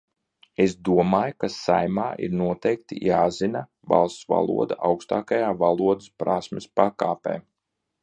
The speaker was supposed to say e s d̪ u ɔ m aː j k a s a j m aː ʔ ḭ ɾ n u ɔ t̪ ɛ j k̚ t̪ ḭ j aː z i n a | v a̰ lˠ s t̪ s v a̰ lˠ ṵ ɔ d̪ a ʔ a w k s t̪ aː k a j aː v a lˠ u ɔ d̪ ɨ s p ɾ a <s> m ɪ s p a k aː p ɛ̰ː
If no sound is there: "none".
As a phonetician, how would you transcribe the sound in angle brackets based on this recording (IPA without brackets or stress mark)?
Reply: s